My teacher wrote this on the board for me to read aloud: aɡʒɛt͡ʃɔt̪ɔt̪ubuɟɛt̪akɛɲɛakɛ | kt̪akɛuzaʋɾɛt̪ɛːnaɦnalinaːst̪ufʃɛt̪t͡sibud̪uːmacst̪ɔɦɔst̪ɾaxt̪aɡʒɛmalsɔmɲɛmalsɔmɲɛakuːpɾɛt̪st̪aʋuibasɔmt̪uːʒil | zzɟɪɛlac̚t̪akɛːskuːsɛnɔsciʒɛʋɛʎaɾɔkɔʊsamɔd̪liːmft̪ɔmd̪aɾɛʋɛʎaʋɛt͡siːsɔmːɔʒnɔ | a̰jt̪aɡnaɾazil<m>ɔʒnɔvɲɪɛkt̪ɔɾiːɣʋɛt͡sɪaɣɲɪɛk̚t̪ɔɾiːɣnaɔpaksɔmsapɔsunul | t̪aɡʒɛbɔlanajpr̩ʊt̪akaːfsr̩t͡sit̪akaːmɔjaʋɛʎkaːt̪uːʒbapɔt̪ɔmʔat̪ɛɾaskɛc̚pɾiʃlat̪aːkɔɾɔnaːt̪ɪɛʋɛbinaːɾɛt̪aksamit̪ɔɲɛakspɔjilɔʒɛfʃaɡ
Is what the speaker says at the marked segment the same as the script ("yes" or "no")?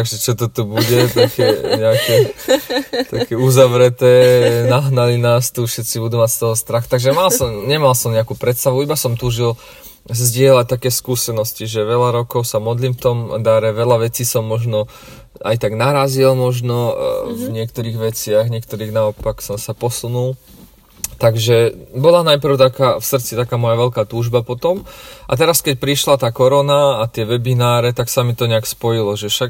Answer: yes